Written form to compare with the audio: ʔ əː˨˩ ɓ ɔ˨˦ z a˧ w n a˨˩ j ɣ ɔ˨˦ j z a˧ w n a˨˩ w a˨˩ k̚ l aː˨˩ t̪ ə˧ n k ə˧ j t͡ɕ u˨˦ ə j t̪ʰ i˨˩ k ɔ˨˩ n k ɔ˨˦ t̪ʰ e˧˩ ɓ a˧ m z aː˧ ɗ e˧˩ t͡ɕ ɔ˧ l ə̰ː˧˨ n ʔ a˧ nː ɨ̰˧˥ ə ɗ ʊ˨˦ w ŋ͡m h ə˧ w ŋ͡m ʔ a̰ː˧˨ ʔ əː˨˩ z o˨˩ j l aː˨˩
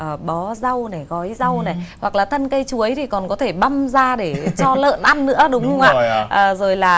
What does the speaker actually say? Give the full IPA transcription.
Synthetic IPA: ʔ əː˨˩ ɓ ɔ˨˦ z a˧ w n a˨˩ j ɣ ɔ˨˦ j z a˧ w n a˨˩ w a˨˩ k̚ l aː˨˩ t̪ʰ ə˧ n k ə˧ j t͡ɕ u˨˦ ə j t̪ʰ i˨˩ k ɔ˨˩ n k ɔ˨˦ t̪ʰ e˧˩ ɓ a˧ m z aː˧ ɗ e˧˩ t͡ɕ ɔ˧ l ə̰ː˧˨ n ʔ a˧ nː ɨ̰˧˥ ə ɗ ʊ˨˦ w ŋ͡m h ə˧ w ŋ͡m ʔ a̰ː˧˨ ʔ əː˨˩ z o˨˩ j l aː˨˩